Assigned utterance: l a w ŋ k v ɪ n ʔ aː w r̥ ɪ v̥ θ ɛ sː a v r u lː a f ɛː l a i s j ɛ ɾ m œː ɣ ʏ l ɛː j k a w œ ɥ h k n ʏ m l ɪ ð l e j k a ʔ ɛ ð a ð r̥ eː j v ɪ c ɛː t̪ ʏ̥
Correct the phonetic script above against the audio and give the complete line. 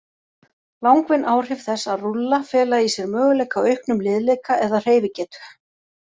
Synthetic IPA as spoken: l a w ŋ k v ɪ n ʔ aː w r̥ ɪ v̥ θ ɛ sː a ð r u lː a f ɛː l a i s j ɛ ɾ m œː ɣ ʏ l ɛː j k a w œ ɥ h k n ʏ m l ɪ ð l e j k a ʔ ɛ ð a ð r̥ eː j v ɪ c ɛː t̪ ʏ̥